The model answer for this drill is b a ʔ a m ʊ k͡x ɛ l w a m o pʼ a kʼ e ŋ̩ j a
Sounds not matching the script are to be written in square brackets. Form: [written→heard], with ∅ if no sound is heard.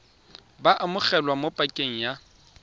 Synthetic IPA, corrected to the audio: b a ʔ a m ʊ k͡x ɛ l w a m o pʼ a kʼ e ŋ̩ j a